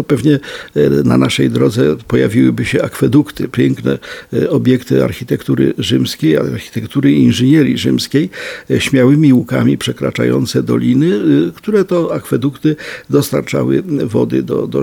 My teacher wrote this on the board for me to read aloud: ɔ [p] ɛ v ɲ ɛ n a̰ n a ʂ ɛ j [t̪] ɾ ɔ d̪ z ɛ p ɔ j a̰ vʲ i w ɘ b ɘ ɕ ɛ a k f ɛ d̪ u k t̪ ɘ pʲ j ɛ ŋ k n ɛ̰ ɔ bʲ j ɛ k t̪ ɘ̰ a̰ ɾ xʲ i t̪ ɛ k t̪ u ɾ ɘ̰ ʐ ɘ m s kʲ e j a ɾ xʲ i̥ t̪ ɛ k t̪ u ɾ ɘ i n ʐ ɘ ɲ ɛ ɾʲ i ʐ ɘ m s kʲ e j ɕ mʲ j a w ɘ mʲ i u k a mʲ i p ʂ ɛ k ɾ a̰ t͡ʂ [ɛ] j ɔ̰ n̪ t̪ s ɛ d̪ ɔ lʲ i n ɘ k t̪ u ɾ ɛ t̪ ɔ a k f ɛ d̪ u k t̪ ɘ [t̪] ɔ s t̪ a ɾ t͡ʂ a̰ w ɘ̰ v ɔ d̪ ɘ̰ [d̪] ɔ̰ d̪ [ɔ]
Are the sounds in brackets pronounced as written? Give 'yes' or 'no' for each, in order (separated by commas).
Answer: yes, no, no, no, yes, yes